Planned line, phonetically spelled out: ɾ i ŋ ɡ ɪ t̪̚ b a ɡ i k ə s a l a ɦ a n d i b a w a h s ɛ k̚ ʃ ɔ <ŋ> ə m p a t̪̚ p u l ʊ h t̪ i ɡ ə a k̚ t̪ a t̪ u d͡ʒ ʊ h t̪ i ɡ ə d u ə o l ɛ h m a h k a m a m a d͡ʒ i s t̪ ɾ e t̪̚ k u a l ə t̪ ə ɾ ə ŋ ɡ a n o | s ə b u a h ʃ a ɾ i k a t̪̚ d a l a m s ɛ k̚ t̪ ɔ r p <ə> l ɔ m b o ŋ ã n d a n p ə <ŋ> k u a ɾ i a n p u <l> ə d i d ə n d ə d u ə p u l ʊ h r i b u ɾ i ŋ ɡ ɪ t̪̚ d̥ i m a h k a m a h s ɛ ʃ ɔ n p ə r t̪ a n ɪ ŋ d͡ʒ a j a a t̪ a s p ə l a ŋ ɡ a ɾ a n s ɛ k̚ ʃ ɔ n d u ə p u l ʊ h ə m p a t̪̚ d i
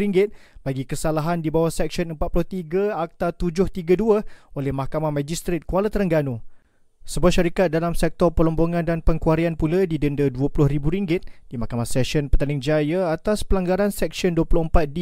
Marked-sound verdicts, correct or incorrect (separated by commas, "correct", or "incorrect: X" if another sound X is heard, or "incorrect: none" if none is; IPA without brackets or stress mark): incorrect: n, correct, correct, correct